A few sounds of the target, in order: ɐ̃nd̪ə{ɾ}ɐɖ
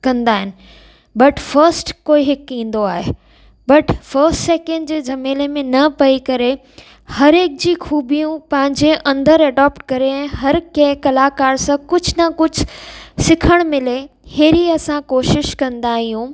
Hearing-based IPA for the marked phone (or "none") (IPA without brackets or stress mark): ɾ